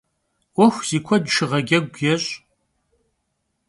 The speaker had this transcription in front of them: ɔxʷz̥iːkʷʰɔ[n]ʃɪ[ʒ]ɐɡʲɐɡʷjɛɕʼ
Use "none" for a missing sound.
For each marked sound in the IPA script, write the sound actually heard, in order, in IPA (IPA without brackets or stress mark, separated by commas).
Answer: d, ʁ